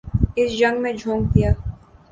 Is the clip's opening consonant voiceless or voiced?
voiceless